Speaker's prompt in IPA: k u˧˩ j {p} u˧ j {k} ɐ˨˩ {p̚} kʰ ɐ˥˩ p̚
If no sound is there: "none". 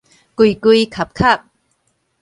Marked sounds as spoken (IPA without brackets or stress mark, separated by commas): k, kʰ, p̚